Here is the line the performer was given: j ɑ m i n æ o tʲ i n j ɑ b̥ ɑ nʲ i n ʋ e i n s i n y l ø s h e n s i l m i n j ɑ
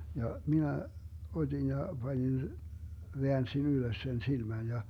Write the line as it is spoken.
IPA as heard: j ɑ m i n æ o tʲ i n j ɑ b̥ ɑ nʲ i n ʋ e æ n s i n y l ø s s e n s i l m æ n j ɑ